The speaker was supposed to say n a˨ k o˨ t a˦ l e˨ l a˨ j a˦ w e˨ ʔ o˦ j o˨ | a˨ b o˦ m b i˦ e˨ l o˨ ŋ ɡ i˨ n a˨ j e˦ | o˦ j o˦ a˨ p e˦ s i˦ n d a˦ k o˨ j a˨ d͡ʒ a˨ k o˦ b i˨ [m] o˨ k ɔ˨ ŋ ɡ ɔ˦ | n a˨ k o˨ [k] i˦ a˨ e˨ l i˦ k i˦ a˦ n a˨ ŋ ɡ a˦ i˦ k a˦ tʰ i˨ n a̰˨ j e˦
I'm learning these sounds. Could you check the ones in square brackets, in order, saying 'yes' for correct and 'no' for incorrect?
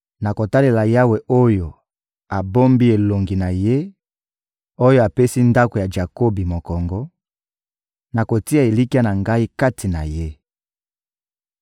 yes, no

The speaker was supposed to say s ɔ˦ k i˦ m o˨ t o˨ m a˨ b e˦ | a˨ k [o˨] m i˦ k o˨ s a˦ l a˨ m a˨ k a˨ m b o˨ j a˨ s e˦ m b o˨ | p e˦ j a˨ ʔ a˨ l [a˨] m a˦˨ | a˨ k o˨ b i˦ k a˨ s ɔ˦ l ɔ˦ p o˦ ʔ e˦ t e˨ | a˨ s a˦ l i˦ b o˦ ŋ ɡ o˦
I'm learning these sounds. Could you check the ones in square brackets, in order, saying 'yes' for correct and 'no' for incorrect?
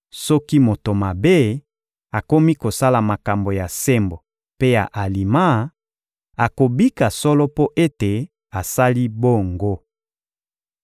no, no

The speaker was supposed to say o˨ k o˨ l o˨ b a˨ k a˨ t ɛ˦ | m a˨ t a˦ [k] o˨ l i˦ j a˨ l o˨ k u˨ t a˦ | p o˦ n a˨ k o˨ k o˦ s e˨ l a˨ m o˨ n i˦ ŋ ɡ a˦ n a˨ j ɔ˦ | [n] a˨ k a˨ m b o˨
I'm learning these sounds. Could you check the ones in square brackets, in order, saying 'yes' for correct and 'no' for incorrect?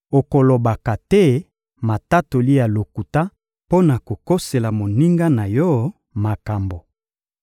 no, no

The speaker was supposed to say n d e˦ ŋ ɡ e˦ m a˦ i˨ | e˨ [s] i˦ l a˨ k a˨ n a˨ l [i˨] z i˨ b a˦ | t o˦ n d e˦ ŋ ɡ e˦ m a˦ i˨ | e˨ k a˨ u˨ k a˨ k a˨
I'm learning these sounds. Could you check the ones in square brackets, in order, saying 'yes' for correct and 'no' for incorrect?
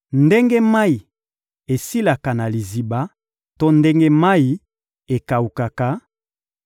yes, yes

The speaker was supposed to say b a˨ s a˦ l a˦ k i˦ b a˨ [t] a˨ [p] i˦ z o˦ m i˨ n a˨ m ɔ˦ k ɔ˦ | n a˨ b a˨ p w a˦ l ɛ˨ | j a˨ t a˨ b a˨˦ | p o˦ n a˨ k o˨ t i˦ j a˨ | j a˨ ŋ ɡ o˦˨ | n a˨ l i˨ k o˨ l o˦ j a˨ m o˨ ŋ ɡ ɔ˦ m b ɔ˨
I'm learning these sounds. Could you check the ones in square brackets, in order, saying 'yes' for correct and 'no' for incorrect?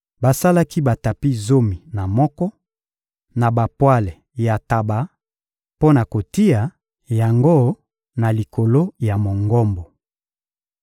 yes, yes

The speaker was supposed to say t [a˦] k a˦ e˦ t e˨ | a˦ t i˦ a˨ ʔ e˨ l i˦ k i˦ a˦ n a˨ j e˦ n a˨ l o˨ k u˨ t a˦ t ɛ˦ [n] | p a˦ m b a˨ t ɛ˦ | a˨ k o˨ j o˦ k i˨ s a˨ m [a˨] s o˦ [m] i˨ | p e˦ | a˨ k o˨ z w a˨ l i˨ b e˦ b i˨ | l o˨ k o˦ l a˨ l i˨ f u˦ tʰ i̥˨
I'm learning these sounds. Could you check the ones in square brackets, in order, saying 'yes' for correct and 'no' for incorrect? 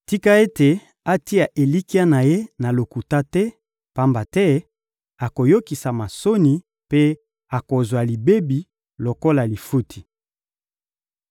no, no, yes, no

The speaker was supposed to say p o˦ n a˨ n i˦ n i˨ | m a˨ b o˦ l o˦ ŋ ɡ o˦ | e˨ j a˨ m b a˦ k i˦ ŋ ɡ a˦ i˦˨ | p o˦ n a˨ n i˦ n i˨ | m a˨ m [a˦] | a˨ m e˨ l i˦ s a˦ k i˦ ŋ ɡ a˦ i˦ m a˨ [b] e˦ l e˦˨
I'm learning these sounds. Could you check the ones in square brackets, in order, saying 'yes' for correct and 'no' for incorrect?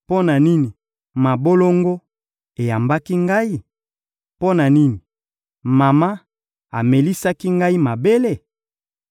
yes, yes

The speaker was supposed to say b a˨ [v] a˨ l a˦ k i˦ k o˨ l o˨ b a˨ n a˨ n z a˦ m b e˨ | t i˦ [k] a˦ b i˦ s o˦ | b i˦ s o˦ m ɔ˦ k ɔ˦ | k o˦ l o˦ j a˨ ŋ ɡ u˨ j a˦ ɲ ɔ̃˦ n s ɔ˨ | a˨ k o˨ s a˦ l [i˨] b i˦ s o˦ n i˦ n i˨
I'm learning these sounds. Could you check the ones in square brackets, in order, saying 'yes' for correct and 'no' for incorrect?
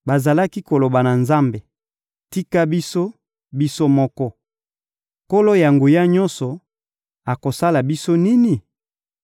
no, yes, no

